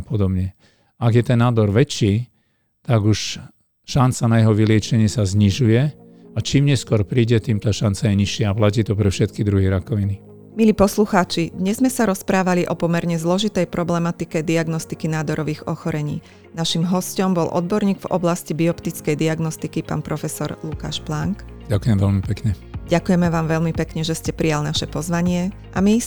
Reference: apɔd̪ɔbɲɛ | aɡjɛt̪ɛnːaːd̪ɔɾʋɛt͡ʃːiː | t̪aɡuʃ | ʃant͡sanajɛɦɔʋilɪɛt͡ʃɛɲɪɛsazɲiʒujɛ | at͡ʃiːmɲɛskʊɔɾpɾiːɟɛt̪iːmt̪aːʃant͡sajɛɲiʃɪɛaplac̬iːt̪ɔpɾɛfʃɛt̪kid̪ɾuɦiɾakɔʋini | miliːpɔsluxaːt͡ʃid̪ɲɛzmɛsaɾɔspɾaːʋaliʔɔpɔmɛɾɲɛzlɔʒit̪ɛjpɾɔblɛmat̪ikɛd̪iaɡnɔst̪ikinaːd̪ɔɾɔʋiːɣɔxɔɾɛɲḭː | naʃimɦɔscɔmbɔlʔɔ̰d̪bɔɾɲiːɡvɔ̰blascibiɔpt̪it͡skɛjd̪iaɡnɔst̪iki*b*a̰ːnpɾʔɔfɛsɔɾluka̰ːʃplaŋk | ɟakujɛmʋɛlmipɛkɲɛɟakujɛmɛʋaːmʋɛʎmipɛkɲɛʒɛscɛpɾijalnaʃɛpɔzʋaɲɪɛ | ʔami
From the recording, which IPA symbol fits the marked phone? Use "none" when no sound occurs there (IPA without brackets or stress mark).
p